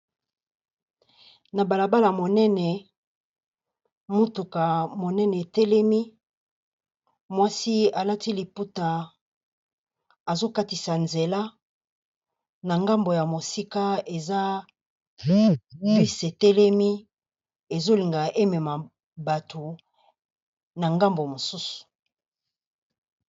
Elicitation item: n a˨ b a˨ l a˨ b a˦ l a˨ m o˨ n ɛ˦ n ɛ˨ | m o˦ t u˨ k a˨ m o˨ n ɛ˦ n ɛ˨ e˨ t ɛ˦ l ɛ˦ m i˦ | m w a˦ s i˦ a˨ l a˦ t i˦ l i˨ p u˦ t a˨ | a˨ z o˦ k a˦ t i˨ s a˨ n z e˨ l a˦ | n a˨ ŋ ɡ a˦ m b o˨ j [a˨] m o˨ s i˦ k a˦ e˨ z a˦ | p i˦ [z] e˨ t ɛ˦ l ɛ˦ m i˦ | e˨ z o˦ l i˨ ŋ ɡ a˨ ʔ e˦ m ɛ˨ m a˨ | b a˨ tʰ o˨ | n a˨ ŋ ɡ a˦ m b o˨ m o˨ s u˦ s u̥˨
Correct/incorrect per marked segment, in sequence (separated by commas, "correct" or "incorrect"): correct, incorrect